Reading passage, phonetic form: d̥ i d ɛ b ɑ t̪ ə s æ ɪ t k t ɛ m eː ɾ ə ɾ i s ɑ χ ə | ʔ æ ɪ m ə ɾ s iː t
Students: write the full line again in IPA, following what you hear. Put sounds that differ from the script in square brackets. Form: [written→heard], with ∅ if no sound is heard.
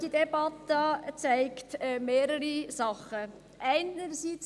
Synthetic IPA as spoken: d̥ i d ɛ b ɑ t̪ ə [s→t͡s] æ ɪ [t→∅] k t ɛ m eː ɾ ə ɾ i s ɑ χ ə | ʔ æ ɪ [m→n] ə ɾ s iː [t→t͡s]